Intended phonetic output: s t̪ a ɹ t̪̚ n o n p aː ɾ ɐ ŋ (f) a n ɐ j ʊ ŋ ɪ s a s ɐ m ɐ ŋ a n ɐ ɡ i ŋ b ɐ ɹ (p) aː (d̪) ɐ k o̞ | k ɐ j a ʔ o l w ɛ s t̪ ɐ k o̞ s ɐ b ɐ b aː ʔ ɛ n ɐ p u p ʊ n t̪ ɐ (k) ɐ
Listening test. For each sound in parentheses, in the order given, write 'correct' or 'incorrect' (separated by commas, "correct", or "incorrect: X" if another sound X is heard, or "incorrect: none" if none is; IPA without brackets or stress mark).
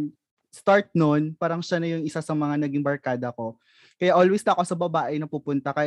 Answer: incorrect: ʃ, incorrect: k, correct, correct